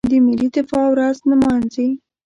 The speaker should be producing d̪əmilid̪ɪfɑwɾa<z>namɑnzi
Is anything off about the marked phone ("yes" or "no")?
no